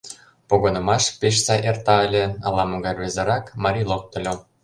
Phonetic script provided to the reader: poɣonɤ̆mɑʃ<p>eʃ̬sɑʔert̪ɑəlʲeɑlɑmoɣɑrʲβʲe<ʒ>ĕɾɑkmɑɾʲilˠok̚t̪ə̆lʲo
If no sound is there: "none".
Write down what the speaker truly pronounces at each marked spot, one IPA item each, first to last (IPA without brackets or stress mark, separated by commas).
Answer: p, z